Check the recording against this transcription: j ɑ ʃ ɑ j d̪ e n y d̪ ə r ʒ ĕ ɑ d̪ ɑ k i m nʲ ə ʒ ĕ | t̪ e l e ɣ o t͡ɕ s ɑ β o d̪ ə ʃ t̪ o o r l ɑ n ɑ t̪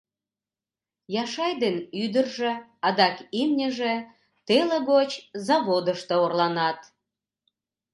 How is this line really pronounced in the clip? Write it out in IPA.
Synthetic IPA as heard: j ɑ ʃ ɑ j d̪ e n y d̪ ə r ʒ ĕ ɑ d̪ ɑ k i m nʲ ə ʒ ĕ | t̪ e l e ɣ o t͡ɕ z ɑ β o d̪ ə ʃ t̪ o o r l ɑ n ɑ t̪